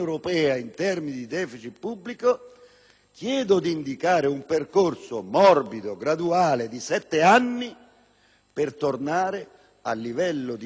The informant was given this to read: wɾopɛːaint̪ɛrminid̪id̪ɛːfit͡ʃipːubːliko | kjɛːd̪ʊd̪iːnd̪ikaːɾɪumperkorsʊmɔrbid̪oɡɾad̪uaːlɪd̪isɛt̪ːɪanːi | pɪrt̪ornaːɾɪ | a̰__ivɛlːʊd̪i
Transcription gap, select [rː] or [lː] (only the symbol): lː